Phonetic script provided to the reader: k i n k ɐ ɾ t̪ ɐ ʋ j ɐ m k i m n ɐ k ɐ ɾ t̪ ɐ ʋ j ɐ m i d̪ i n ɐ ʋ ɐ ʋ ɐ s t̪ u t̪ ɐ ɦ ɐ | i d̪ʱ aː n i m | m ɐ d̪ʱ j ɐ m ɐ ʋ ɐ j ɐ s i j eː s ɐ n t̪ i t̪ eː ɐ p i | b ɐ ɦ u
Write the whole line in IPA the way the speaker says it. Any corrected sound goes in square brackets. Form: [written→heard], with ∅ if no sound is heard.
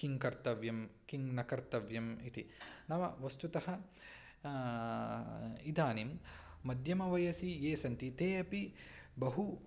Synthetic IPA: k i [n→ŋ] k ɐ ɾ t̪ ɐ ʋ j ɐ m k i [m→ŋ] n ɐ k ɐ ɾ t̪ ɐ ʋ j ɐ m i [d̪→t̪] i n ɐ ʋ ɐ ʋ ɐ s t̪ u t̪ ɐ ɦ ɐ | i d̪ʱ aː n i m | m ɐ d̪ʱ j ɐ m ɐ ʋ ɐ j ɐ s i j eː s ɐ n t̪ i t̪ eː ɐ p i | b ɐ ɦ u